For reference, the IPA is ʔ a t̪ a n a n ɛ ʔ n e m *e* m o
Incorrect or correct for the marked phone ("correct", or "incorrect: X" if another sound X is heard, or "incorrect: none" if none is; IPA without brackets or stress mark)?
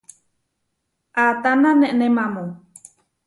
incorrect: a